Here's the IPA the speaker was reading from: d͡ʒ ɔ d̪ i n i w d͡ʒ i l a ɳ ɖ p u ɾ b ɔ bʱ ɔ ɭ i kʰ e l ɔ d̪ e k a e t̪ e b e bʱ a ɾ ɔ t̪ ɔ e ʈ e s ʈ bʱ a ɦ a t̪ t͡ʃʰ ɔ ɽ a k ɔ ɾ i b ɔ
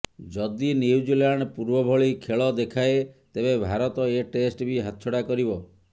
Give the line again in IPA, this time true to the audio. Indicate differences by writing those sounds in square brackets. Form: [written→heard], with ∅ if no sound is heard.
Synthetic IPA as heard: d͡ʒ ɔ d̪ i n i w d͡ʒ i l a ɳ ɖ p u ɾ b ɔ bʱ ɔ ɭ i kʰ e [l→ɭ] ɔ d̪ e [k→kʰ] a e t̪ e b e bʱ a ɾ ɔ t̪ ɔ e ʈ e s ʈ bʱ [a→i] ɦ a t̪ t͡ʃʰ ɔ ɽ a k ɔ ɾ i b ɔ